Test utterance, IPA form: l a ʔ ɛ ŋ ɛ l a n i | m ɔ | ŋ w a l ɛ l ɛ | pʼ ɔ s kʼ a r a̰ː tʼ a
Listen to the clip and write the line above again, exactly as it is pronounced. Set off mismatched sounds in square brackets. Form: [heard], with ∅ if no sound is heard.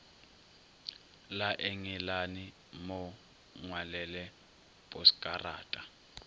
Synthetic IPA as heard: l a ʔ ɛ ŋ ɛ l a n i | m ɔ | ŋ w a l ɛ l ɛ | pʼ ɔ s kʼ a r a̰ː tʼ a